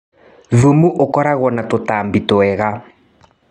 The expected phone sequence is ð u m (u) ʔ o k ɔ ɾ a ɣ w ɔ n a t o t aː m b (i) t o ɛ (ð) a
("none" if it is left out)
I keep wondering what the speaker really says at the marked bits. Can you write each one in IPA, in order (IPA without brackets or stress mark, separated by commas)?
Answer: u, i, ɣ